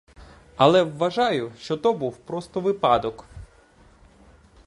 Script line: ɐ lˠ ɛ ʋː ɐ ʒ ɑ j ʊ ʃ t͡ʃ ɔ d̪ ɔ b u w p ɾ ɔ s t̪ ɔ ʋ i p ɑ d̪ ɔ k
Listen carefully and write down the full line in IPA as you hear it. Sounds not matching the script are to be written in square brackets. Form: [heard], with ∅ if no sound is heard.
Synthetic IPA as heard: ɐ lˠ ɛ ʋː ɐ ʒ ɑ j ʊ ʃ t͡ʃ ɔ [t̪] ɔ b u w p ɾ ɔ s t̪ ɔ ʋ [ɪ] p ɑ d̪ ɔ k

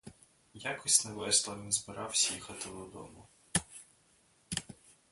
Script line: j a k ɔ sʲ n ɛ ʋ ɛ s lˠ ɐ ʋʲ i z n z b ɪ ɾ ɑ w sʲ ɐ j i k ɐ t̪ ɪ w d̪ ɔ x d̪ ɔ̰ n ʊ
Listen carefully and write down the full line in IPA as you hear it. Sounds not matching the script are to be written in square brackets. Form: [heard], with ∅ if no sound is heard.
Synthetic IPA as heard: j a k ɔ sʲ n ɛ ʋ ɛ s lˠ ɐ ʋʲ i [∅] n z b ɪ ɾ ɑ w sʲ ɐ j i [x] ɐ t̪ ɪ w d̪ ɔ [∅] d̪ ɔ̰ [m] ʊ

